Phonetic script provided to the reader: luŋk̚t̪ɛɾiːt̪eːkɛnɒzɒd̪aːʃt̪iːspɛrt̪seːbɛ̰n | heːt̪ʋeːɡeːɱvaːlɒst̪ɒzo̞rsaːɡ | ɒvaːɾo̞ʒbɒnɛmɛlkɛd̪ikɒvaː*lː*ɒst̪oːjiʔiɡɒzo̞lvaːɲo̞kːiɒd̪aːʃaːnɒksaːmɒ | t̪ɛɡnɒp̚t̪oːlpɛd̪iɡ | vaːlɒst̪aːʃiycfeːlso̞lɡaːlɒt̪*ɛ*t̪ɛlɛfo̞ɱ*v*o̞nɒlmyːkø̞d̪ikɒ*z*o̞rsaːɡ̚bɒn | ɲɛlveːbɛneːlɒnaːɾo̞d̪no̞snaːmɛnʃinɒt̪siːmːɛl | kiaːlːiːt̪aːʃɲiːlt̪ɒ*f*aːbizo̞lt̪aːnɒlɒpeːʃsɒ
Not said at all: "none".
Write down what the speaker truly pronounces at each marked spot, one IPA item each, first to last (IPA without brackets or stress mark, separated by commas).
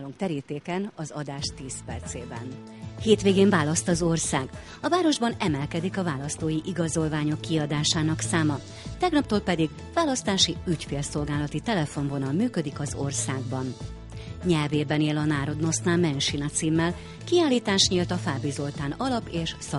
l, i, v, z, f